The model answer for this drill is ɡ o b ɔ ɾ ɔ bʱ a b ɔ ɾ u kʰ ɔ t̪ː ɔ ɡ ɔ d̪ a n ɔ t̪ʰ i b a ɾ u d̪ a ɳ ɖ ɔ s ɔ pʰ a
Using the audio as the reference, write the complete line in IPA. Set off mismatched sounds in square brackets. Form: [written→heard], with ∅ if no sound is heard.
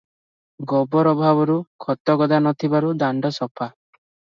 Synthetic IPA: ɡ [o→ɔ] b ɔ ɾ ɔ bʱ a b ɔ ɾ u kʰ ɔ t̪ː ɔ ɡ ɔ d̪ a n ɔ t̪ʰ i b a ɾ u d̪ a ɳ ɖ ɔ s ɔ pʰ a